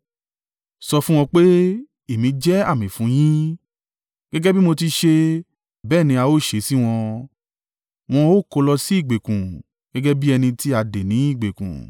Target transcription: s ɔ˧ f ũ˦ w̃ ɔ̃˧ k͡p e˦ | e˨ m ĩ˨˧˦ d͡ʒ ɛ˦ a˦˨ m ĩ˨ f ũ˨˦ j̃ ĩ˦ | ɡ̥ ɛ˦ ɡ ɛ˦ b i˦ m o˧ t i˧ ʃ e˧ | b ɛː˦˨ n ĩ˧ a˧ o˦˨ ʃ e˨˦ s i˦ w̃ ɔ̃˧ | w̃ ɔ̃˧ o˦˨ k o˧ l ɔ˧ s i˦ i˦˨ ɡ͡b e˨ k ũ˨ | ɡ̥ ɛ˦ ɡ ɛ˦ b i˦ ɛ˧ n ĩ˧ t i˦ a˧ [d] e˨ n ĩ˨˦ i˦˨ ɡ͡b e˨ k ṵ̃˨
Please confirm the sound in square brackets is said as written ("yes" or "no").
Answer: yes